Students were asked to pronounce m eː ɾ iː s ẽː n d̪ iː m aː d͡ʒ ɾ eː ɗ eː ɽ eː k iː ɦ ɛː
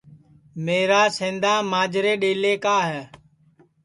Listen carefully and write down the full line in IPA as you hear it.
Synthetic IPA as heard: m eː ɾ aː s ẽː n d̪ aː m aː d͡ʒ ɾ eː ɗ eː l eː k aː ɦ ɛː